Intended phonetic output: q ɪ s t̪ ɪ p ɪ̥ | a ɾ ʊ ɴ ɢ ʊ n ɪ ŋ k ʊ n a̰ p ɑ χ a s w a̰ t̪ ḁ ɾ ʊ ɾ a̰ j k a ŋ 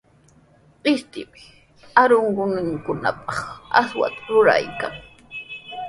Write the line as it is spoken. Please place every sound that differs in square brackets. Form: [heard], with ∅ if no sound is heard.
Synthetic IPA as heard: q ɪ s t̪ ɪ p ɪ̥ | a ɾ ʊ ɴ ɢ ʊ n ɪ ŋ k ʊ n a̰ p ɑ χ a s w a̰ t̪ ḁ ɾ ʊ ɾ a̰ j k a ŋ